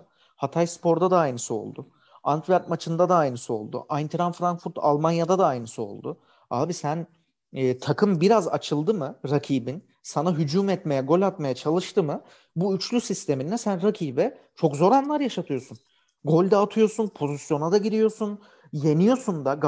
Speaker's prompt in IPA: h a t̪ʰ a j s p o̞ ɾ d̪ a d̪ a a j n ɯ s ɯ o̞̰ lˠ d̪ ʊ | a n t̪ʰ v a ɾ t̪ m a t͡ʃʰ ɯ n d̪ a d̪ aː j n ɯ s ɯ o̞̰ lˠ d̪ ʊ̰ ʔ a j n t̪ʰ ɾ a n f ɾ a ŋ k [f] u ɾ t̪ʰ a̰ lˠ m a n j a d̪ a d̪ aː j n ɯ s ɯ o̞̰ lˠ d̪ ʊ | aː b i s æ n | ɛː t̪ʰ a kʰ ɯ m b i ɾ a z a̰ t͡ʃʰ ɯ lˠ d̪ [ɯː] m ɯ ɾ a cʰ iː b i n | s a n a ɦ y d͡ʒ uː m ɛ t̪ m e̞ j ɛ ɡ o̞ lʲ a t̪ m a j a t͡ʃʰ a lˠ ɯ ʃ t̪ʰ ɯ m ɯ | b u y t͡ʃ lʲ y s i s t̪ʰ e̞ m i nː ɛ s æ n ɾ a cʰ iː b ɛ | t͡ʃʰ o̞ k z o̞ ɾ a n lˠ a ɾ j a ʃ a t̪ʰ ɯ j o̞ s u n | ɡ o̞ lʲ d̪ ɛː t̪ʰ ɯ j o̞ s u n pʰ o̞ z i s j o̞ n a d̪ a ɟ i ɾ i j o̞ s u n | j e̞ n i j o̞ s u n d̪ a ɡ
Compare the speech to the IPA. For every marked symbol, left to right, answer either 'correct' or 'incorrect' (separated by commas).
correct, incorrect